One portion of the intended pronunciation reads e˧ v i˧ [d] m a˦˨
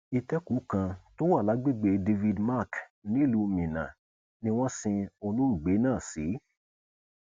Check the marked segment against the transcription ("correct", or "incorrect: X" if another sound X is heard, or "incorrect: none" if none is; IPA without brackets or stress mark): correct